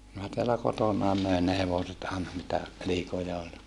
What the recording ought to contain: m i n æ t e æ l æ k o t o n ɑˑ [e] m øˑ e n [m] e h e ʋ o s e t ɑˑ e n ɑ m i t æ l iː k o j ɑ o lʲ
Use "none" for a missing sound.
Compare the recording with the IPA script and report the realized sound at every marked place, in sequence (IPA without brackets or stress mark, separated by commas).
e, n